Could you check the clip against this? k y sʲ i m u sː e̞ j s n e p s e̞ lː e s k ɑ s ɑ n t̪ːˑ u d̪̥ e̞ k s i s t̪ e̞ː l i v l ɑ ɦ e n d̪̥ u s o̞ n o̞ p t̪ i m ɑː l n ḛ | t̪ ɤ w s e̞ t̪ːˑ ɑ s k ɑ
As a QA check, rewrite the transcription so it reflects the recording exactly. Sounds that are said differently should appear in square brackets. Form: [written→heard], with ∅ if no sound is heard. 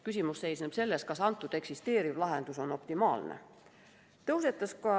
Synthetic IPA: k y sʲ i m u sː e̞ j s n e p s e̞ lː e s k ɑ s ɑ n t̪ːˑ u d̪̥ e̞ k s i s t̪ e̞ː [l→ɾ] i v l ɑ ɦ e n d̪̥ u s o̞ n o̞ p t̪ i m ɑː l n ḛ | t̪ ɤ w s e̞ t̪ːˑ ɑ s k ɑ

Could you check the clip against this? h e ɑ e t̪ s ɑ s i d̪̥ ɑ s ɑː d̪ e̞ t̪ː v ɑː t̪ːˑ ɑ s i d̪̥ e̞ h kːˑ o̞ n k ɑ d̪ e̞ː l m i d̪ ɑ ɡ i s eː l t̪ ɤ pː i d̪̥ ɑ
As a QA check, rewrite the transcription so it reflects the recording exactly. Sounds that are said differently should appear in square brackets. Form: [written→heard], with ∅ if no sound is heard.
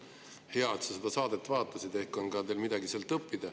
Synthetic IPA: h e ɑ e t̪ s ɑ s [i→e] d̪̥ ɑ s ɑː d̪ e̞ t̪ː v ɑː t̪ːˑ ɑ s i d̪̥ e̞ h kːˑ o̞ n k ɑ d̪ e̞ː l m i d̪ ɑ ɡ i s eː l t̪ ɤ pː i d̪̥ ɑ

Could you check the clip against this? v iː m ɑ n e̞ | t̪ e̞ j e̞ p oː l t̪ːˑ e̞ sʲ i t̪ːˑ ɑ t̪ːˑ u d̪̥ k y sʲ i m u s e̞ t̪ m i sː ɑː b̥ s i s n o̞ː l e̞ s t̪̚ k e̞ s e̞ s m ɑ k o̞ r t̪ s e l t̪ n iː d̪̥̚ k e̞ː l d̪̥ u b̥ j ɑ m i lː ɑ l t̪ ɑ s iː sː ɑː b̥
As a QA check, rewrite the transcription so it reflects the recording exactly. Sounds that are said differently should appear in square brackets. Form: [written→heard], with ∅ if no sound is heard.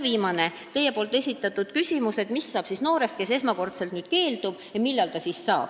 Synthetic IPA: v iː m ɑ n e̞ | t̪ e̞ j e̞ p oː l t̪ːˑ e̞ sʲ i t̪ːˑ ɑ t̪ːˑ u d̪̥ k y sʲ i m u s e̞ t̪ m i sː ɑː b̥ s i s n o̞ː [l→ɾ] e̞ s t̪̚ k e̞ s e̞ s m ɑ k o̞ r t̪ s e l t̪ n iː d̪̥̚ k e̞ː l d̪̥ u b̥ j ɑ m i lː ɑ l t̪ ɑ s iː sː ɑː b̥

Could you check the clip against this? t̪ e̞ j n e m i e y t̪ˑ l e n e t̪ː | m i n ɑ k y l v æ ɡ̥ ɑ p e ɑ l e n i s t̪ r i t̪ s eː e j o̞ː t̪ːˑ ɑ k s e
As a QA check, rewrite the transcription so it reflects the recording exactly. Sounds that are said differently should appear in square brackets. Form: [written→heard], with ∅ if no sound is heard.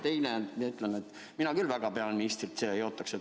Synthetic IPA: t̪ e̞ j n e m i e y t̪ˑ l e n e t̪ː | m i n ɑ k y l v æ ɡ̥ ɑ p e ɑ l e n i s t̪ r i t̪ s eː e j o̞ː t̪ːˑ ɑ k s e

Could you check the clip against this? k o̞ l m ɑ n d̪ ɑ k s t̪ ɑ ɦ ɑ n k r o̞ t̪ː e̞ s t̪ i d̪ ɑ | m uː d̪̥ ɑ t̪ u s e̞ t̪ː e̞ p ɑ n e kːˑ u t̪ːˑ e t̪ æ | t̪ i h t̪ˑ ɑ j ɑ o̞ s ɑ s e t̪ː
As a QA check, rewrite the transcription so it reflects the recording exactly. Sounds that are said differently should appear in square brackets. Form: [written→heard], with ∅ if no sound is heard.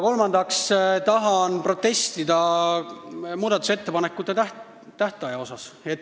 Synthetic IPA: k o̞ l m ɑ n d̪ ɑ k s t̪ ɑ ɦ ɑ n [k→p] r o̞ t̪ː e̞ s t̪ i d̪ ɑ | m uː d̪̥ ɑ t̪ u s e̞ t̪ː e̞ p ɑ n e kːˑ u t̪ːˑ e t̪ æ | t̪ [i→æ] h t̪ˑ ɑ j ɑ o̞ s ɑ s e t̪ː

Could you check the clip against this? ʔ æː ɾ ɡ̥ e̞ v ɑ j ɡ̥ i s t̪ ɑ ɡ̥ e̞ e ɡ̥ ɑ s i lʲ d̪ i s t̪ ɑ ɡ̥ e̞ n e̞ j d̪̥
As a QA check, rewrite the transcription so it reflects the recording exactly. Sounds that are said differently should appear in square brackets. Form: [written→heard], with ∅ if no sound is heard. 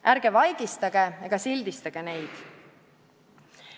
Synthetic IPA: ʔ [æː→æ] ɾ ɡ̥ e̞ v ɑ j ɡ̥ i s t̪ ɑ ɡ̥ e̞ e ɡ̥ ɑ s i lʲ d̪ i s t̪ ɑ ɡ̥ e̞ n e̞ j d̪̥

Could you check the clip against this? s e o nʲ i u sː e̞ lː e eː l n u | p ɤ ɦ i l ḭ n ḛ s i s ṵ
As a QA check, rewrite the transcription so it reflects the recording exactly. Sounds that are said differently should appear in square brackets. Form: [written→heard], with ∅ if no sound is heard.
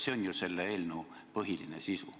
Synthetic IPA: s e o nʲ [i→j] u [sː→s] e̞ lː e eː l n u | p ɤ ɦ i l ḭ n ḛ s i s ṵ

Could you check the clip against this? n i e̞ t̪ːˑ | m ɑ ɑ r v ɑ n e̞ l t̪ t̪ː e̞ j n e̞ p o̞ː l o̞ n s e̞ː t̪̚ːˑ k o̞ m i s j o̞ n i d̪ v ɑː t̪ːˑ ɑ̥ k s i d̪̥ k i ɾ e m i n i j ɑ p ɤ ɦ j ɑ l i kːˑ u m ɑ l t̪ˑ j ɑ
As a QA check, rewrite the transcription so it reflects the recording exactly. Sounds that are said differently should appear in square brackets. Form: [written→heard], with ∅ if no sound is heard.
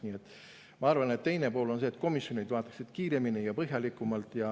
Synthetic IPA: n i e̞ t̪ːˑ | m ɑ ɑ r v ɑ n e̞ [l→∅] t̪ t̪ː e̞ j n e̞ p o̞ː l o̞ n s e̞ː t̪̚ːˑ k o̞ m i s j o̞ n i d̪ v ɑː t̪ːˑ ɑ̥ k s i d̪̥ k [i→iː] ɾ e m i n i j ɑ p ɤ ɦ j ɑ l i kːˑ u m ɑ l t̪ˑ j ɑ

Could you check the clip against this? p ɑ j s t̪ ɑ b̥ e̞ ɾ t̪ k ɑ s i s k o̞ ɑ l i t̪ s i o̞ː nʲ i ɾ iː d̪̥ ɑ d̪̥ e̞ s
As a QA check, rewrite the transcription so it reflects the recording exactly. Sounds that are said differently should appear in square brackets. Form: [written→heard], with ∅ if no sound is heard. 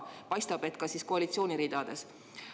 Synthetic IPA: p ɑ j s t̪ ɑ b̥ e̞ [ɾ→∅] t̪ k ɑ s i s k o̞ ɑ l i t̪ s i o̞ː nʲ i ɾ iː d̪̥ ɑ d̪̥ e̞ s

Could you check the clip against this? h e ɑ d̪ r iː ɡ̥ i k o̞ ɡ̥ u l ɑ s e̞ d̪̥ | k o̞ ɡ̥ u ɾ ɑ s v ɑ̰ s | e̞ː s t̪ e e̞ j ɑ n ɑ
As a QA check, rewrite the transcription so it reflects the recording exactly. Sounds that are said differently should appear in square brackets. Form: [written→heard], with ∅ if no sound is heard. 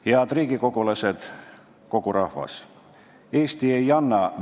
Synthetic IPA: h e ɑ d̪ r iː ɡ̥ i k o̞ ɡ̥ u l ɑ s e̞ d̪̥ | k o̞ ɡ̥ u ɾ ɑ [s→h] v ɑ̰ s | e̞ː s t̪ [e→i] e̞ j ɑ [n→nː] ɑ

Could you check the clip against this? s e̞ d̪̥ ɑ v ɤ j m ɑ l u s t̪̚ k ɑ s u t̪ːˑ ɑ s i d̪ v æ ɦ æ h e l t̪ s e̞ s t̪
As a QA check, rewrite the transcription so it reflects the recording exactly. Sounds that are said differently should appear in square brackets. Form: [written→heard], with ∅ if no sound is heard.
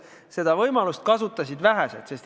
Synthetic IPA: s e̞ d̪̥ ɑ v ɤ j m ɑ l u s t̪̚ k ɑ s u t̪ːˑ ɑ s i d̪ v æ ɦ æ [h→s] e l t̪ s e̞ s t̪

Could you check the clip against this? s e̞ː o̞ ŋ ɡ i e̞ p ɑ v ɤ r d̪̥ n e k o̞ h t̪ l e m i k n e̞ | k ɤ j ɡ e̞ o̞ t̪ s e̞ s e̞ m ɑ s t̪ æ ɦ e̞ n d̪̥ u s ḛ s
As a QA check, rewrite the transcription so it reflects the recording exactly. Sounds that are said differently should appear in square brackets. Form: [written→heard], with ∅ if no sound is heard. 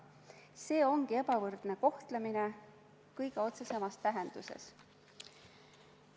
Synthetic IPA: s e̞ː o̞ ŋ ɡ i e̞ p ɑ v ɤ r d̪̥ n e k o̞ h t̪ l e m i [k→∅] n e̞ | k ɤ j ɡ e̞ o̞ t̪ s e̞ s e̞ m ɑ s t̪ æ ɦ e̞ n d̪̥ u s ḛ s

